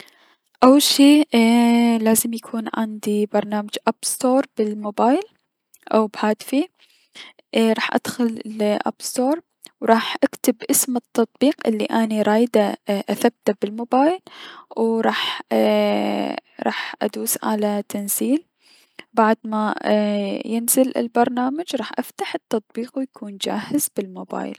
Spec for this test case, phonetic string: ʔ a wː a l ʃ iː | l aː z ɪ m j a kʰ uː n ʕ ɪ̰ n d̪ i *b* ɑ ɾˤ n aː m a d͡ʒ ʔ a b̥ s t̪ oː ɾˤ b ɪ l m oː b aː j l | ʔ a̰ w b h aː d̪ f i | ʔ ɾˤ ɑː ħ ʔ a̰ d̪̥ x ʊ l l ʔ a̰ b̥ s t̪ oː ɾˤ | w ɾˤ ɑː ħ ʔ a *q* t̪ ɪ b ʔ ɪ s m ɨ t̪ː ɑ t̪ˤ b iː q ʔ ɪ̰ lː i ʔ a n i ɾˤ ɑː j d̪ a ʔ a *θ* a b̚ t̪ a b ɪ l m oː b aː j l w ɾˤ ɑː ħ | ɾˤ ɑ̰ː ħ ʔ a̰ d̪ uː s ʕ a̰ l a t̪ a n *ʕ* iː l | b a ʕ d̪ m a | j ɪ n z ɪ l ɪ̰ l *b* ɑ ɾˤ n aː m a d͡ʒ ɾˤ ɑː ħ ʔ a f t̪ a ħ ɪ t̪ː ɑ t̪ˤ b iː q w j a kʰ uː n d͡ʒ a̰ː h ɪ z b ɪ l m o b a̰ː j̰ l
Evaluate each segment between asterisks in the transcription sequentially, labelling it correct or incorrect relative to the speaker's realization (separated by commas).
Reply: correct, incorrect, correct, incorrect, correct